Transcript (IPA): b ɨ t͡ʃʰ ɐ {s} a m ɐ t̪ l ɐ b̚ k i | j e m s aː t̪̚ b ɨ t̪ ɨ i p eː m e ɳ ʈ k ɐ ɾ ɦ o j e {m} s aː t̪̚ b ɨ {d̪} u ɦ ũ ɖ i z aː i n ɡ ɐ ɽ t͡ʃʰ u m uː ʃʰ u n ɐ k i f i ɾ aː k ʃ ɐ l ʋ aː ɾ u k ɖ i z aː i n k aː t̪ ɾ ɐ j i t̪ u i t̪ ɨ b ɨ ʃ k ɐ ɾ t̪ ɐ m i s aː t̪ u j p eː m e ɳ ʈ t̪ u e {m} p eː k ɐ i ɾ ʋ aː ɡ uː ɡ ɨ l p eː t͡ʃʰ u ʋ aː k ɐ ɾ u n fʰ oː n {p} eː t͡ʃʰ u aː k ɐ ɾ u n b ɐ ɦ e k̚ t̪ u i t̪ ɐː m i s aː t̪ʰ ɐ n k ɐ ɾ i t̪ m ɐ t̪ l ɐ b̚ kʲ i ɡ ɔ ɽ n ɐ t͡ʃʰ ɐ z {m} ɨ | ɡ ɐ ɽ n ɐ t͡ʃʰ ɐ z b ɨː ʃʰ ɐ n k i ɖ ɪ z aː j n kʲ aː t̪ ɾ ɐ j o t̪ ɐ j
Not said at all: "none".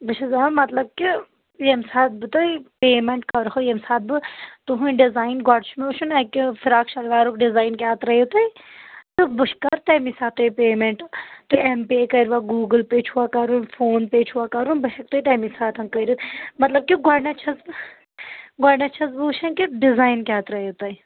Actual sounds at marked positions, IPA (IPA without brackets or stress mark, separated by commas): z, m, t̪, m, p, b